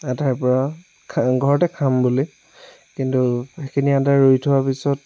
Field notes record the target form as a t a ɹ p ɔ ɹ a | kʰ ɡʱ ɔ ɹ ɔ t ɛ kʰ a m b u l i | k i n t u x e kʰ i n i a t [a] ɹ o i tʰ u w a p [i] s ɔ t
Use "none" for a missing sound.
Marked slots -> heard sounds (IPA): a, i

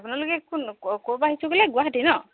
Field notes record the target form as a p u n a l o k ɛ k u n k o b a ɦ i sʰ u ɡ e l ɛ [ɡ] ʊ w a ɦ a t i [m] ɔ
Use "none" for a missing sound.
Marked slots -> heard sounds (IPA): ɡ, n

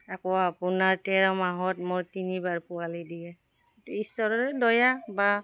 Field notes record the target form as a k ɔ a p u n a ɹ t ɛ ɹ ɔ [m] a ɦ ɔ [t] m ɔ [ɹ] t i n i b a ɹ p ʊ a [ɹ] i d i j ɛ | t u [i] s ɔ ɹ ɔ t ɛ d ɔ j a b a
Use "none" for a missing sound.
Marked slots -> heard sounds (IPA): m, t, ɹ, l, i

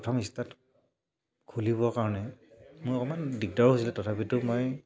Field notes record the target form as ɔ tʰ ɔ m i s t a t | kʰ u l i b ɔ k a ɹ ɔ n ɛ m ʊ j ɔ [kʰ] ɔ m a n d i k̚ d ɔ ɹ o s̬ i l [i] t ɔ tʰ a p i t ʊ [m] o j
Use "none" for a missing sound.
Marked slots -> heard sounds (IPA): k, ɛ, m

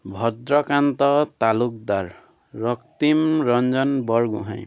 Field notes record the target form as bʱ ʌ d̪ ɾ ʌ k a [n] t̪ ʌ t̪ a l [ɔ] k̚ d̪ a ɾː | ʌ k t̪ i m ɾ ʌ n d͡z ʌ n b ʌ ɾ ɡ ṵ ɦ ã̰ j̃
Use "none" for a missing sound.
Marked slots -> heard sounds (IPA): n, u

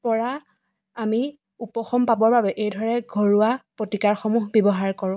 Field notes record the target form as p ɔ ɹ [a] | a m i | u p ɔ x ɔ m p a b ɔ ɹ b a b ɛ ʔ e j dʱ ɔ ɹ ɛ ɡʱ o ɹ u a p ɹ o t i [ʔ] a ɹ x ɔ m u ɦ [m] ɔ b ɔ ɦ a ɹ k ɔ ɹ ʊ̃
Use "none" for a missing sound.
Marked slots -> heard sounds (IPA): a, k, b

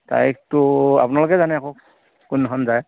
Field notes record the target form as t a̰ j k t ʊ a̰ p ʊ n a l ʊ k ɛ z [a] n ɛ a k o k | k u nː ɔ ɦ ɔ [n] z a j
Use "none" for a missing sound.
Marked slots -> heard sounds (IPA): a, n

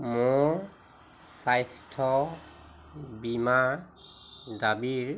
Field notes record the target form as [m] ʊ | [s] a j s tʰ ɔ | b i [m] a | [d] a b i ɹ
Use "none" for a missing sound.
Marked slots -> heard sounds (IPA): m, s, m, d

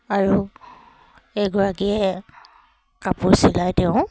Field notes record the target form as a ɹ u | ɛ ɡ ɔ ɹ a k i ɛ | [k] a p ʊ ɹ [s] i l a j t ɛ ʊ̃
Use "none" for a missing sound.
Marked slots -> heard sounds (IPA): k, s

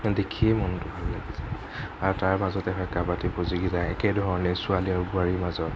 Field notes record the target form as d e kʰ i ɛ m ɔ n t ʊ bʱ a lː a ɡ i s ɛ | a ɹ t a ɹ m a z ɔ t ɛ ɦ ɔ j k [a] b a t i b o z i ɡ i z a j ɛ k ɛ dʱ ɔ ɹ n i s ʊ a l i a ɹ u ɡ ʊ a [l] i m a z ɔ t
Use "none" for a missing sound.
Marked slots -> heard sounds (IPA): a, ɹ

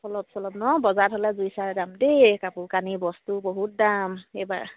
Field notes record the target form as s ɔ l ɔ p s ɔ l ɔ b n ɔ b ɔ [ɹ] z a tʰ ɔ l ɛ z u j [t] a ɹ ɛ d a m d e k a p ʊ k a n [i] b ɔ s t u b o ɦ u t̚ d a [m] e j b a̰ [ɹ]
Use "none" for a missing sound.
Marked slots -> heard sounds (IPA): none, s, i, m, ɹ

